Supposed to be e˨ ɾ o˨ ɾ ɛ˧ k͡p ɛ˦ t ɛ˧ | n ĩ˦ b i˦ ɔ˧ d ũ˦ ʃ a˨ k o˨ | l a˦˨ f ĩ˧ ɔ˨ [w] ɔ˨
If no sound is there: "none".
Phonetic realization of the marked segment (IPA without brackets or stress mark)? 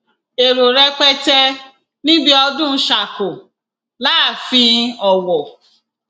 w